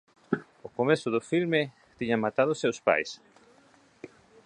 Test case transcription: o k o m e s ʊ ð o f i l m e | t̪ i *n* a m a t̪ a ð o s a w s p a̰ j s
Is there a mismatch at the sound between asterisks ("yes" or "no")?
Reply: yes